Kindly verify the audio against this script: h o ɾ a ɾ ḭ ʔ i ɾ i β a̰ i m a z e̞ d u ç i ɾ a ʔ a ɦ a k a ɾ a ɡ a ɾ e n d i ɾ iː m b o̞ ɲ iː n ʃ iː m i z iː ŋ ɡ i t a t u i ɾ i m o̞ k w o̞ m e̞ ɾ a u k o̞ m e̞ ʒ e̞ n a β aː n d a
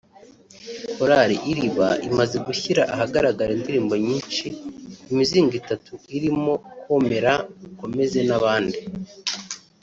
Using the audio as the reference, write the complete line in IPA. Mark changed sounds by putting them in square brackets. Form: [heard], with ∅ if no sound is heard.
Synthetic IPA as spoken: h o ɾ a ɾ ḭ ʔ i ɾ i β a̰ i m a z e̞ [ɡ] u ç i ɾ a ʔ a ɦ a [ɡ] a ɾ a ɡ a ɾ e n d i ɾ iː m b o̞ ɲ iː n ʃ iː m i z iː ŋ ɡ i t a t u i ɾ i m o̞ k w o̞ m e̞ ɾ a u k o̞ m e̞ [z] e̞ n a β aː n d [i]